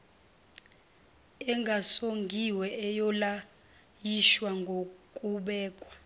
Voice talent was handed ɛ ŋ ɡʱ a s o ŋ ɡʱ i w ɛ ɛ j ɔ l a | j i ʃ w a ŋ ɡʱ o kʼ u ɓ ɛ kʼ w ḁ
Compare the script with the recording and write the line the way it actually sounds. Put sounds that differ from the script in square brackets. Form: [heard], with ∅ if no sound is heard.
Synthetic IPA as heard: ɛ ŋ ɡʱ a s o ŋ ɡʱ i w ɛ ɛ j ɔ l a | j i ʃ w a ŋ ɡʱ o kʼ u ɓ [ɛː] kʼ w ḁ